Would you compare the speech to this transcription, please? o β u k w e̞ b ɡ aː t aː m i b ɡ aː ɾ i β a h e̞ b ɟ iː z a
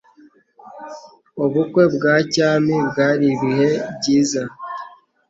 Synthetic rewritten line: o β u k w e̞ b ɡ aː c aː m i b ɡ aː ɾ i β i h e̞ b ɟ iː z a